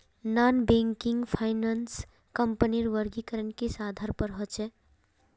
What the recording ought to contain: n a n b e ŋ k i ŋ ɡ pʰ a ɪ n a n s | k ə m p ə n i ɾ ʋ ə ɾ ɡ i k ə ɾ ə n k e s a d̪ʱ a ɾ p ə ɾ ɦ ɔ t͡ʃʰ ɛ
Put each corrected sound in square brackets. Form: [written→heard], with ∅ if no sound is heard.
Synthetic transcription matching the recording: n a n b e ŋ k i ŋ ɡ pʰ a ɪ n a n s | k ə m p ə n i ɾ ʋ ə ɾ ɡ i k ə ɾ ə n k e s a d̪ʱ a ɾ p ə ɾ ɦ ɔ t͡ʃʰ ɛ